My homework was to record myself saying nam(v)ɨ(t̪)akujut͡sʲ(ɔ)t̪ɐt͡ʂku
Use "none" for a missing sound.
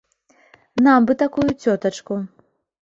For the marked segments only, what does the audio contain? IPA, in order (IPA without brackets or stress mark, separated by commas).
b, t̪, ɔ